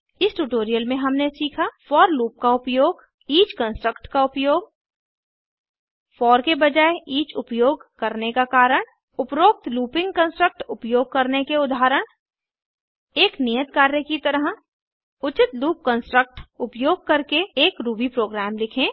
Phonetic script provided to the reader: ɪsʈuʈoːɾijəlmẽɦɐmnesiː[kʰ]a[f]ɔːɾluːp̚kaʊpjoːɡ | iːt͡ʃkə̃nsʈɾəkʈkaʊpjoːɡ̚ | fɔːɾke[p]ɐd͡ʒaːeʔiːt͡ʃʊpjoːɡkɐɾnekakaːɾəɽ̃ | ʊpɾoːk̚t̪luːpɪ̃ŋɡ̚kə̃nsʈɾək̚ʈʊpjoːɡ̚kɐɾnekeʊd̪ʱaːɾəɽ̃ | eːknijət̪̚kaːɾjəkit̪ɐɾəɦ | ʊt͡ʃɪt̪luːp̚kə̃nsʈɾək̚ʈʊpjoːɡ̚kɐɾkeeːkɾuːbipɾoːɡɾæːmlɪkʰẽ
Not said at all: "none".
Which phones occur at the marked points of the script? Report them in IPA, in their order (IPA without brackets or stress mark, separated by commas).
kʰ, f, b